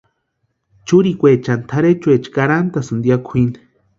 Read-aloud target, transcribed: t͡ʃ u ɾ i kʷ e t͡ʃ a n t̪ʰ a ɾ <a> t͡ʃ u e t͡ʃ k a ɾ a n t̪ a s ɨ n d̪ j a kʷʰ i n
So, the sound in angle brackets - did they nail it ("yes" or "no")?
no